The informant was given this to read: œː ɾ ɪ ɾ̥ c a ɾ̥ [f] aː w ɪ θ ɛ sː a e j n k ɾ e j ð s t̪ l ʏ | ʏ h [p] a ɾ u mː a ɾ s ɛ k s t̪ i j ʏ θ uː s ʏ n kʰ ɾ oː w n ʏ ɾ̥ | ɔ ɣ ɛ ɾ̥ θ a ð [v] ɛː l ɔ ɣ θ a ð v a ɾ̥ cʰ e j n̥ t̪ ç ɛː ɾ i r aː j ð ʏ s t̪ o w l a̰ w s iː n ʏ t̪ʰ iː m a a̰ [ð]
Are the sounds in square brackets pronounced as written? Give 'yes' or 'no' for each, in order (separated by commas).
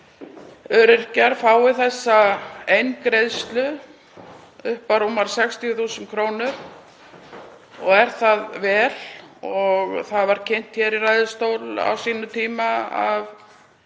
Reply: yes, yes, yes, no